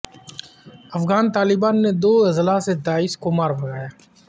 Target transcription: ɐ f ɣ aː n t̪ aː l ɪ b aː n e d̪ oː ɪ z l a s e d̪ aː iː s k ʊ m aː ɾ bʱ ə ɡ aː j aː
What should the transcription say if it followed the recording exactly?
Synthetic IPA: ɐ f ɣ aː n t̪ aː l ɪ b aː nː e d̪ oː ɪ z l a s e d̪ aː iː s k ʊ m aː ɾ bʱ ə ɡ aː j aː